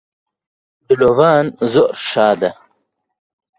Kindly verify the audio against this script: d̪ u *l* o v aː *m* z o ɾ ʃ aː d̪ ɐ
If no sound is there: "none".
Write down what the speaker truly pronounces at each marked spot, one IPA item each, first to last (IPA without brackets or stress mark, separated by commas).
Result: l, n